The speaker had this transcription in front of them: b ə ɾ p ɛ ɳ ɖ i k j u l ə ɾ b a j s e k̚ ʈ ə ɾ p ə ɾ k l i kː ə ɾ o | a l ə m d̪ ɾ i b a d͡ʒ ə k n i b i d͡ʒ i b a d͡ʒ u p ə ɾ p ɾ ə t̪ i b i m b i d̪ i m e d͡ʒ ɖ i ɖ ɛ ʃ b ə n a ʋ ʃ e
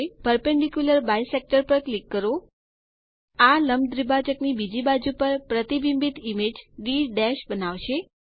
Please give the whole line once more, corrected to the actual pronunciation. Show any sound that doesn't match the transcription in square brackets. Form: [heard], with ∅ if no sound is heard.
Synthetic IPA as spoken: [p] ə ɾ p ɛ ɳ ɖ i k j u l ə ɾ b a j s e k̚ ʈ ə ɾ p ə ɾ k l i kː ə ɾ o | a l ə m d̪ ɾ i b a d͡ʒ ə k n i b i d͡ʒ i b a d͡ʒ u p ə ɾ p ɾ ə t̪ i b i m b i [t̪] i m e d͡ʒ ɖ i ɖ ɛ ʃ b ə n a ʋ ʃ e